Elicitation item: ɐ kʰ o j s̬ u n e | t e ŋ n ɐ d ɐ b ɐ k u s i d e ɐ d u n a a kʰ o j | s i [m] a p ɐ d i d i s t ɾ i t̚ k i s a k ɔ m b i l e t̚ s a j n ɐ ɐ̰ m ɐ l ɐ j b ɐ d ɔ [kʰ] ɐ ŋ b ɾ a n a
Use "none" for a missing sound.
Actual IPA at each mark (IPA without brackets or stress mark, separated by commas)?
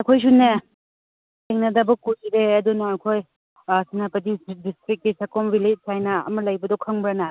n, kʰ